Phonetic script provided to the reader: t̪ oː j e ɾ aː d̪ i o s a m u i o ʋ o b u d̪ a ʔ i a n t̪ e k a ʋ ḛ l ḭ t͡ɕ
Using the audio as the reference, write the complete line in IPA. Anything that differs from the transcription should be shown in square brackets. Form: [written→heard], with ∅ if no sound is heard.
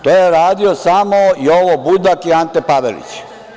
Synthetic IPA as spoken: t̪ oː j e ɾ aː d̪ i o s a m [u→o] i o ʋ o b u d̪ a [ʔ→k] i a n t̪ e [k→p] a ʋ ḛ l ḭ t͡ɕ